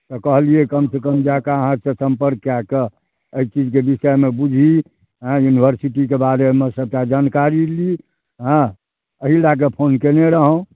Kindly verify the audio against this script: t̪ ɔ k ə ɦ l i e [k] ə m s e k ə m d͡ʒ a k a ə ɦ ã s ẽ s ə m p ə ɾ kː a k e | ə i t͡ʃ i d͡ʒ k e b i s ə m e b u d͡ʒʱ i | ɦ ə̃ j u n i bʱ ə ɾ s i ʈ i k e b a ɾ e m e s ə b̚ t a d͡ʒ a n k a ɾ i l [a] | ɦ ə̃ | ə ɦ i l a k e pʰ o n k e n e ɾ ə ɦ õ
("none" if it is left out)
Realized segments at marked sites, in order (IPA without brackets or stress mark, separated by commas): k, i